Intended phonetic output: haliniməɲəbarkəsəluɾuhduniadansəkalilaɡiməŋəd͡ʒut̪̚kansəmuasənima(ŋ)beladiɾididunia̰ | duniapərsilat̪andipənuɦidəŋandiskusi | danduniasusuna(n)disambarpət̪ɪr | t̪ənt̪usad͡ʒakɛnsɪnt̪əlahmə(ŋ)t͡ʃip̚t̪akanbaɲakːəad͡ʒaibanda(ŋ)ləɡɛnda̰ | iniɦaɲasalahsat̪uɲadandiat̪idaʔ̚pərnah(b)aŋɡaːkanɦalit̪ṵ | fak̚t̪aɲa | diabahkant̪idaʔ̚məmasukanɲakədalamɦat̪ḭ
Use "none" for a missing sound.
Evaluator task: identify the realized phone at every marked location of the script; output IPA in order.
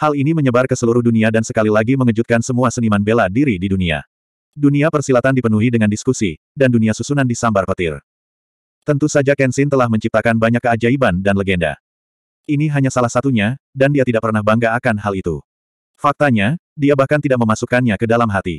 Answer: n, n, ɲ, n, b

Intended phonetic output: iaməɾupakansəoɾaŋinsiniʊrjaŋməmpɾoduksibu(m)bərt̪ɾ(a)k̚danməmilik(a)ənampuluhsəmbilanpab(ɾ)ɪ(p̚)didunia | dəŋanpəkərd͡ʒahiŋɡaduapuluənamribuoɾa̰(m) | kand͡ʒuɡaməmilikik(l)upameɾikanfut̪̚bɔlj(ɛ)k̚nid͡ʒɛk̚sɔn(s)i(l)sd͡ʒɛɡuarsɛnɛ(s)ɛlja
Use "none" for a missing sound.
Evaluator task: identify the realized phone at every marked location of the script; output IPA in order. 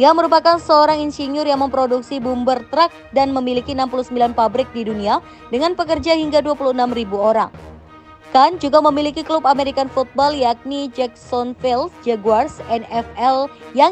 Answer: m, a, i, ɾ, k̚, ŋ, l, a, f, l, f

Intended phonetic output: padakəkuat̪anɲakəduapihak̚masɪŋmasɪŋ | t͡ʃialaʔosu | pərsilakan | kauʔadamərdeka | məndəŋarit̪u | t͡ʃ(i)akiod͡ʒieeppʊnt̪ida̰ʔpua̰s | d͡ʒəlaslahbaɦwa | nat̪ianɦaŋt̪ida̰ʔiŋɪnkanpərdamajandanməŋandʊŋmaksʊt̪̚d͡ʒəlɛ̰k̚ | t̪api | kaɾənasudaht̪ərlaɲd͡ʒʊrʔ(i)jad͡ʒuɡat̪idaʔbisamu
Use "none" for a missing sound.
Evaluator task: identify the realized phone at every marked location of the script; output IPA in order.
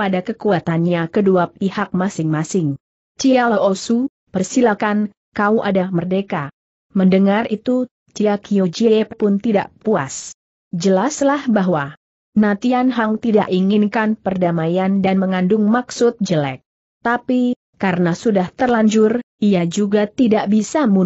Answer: i, i

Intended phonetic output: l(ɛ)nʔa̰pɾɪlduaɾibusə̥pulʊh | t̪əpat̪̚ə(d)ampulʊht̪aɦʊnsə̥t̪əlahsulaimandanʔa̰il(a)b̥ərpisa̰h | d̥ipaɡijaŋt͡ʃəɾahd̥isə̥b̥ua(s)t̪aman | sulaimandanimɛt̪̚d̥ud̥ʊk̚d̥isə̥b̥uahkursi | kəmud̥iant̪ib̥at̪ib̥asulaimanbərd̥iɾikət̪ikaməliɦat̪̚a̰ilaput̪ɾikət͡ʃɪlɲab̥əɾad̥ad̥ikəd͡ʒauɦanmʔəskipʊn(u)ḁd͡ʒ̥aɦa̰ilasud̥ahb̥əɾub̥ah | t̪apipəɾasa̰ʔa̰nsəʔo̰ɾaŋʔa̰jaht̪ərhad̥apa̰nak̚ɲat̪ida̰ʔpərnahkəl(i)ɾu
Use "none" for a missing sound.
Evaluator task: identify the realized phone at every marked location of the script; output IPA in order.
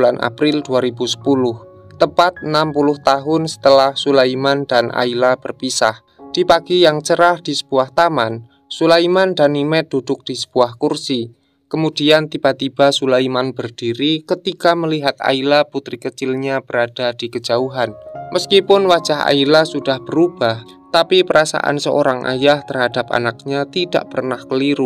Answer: a, n, a, h, w, i

